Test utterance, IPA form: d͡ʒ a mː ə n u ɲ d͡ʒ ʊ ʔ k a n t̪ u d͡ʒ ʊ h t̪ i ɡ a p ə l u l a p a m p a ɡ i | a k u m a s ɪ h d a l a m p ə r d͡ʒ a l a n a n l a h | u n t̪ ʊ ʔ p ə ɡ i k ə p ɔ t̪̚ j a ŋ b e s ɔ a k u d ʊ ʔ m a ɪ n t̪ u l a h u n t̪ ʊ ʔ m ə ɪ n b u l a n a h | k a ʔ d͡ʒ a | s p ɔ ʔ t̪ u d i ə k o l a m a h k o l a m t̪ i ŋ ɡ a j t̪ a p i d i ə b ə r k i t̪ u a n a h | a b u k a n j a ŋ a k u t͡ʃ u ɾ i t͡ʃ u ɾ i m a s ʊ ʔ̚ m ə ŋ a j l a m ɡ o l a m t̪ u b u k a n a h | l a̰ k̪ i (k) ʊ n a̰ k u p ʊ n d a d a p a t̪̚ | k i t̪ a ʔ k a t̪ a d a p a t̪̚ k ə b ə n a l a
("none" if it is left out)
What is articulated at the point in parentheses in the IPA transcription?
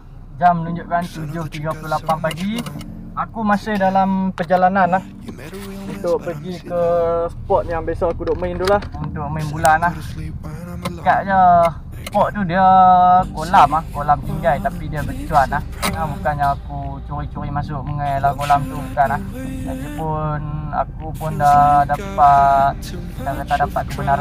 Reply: p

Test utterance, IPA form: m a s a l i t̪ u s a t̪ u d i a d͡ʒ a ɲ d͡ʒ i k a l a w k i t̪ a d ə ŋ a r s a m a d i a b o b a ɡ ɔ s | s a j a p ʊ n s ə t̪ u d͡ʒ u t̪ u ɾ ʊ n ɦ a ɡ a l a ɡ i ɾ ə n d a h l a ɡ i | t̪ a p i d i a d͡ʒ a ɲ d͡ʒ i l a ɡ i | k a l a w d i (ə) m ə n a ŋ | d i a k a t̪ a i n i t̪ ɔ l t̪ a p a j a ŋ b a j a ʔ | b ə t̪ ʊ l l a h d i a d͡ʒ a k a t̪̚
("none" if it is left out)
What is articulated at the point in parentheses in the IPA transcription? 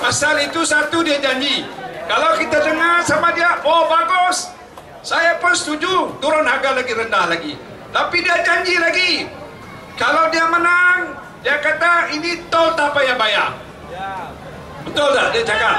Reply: a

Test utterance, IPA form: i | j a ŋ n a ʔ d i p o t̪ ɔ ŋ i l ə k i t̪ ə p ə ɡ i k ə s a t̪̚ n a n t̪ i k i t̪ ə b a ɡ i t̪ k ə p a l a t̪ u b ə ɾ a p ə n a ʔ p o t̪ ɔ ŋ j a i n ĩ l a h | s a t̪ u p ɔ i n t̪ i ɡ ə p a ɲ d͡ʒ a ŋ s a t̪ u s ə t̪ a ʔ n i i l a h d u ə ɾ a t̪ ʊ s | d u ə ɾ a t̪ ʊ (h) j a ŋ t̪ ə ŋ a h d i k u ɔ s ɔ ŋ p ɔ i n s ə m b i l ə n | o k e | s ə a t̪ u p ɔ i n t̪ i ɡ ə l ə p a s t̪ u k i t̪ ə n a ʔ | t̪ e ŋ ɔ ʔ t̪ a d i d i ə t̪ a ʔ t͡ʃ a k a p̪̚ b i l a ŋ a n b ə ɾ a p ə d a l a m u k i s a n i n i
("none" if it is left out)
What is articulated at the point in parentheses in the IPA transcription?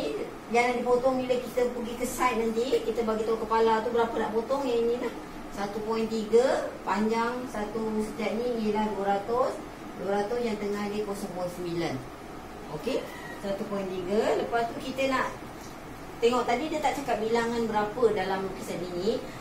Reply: s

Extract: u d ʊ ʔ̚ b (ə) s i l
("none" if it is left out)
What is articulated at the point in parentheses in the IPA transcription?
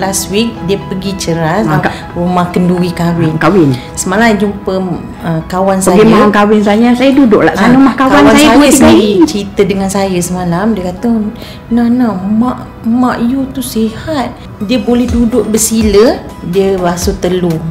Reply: ə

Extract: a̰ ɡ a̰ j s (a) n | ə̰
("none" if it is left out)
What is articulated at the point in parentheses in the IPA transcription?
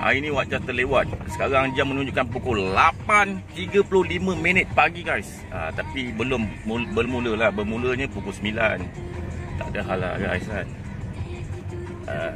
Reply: a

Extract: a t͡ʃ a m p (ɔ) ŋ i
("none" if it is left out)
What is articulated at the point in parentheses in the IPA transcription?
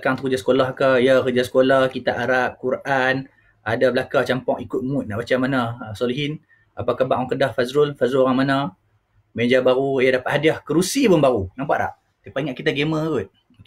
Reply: ɔ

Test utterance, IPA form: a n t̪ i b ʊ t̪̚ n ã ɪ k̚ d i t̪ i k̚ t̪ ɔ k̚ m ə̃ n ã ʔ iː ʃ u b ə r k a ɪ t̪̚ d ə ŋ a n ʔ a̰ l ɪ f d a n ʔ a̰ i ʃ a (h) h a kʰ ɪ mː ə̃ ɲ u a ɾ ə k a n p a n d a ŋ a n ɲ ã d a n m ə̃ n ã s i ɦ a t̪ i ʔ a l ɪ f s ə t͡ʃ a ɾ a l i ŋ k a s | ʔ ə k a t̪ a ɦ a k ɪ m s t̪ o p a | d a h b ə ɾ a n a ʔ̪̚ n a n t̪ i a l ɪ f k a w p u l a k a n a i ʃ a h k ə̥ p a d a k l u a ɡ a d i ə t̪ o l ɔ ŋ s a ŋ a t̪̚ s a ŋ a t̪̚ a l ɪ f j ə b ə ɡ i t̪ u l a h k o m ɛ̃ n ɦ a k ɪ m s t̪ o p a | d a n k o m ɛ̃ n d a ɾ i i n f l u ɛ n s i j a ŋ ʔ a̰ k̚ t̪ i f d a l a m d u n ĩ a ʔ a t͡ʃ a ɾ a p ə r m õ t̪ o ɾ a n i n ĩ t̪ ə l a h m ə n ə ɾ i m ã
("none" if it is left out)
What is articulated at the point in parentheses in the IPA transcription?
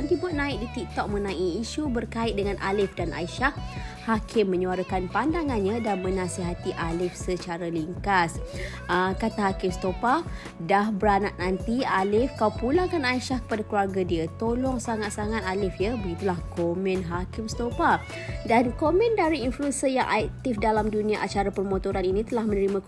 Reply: h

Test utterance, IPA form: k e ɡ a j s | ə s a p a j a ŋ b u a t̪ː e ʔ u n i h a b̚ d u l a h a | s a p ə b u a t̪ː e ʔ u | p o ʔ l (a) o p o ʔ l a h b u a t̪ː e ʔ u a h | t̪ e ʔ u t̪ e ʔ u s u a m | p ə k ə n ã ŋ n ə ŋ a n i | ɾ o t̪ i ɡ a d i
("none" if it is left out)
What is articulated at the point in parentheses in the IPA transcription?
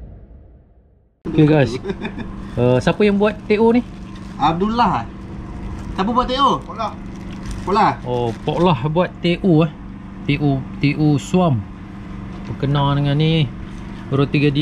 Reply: a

